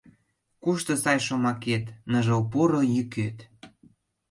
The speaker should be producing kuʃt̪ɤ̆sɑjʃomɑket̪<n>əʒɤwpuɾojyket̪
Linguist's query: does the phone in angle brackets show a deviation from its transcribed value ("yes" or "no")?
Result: no